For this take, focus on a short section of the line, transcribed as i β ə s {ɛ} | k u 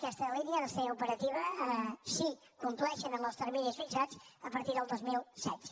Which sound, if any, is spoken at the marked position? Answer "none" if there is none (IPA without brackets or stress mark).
i